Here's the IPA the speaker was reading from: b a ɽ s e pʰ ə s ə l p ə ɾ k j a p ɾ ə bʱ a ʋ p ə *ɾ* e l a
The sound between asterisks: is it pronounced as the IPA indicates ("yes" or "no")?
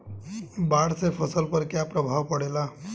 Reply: no